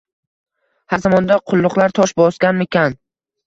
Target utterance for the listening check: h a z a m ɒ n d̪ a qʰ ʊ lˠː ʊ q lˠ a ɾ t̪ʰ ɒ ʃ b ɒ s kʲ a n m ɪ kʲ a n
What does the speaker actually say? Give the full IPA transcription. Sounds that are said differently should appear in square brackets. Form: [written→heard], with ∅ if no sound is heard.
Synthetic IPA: h a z a m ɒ n d̪ a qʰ ʊ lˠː ʊ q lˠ a ɾ t̪ʰ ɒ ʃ b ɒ s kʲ a n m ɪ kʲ a n